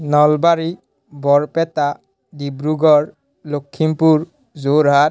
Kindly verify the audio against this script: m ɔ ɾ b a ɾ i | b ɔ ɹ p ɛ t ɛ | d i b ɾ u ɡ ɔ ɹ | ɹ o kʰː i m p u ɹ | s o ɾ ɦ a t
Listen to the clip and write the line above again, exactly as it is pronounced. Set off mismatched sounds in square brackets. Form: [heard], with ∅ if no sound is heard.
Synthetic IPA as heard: [n] ɔ [l] b a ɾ i | b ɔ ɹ p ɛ t [a] | d i b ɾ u ɡ ɔ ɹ | [l] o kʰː i m p u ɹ | [z] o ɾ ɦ a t